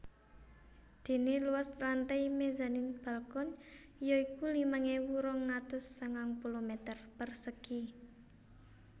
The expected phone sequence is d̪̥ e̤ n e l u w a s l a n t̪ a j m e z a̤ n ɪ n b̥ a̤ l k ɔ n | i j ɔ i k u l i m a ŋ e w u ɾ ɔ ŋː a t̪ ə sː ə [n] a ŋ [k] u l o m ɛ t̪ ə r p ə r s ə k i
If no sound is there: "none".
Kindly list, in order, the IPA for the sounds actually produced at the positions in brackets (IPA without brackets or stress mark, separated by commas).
ŋ, p